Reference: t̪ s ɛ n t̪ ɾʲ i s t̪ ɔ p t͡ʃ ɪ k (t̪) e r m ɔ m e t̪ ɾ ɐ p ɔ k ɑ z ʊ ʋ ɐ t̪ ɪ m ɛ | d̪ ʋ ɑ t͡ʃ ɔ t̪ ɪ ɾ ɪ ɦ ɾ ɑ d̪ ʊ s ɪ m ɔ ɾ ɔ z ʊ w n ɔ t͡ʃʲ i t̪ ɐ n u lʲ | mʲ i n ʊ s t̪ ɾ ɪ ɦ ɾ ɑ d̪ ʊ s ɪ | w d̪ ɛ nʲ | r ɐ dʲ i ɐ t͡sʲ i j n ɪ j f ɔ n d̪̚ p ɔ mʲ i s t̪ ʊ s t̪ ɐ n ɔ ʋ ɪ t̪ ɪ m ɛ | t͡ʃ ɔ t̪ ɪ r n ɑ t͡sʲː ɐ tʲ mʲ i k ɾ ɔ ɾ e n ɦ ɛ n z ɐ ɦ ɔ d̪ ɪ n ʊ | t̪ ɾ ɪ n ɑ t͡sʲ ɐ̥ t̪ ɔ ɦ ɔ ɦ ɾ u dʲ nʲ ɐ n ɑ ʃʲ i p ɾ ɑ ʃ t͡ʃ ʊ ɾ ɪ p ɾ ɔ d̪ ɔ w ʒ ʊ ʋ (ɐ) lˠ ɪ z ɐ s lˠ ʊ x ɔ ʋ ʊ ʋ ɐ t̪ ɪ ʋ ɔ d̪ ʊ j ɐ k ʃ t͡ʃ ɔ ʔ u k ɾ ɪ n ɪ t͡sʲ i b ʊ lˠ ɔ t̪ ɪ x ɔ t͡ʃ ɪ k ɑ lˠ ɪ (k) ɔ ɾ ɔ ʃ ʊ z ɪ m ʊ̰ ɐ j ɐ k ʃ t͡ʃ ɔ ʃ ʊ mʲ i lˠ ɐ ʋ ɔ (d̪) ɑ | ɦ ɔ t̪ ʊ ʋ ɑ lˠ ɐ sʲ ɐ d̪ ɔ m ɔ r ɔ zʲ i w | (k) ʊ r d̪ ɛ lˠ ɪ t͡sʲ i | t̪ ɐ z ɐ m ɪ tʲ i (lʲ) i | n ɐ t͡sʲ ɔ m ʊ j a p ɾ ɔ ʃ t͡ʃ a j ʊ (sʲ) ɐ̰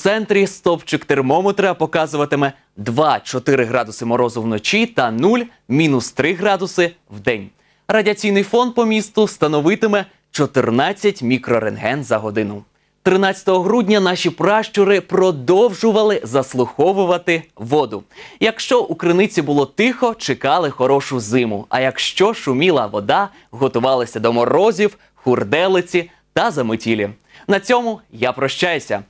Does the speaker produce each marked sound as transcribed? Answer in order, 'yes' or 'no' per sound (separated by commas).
yes, yes, no, yes, no, yes, yes